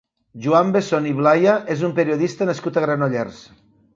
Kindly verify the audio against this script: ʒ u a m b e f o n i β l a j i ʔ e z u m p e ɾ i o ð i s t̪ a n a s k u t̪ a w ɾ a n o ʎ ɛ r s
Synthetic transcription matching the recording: ʒ u a m b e s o n i β l a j a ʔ e z u m p e ɾ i o ð i s t̪ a n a s k u t̪ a ɣ ɾ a n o ʎ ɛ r s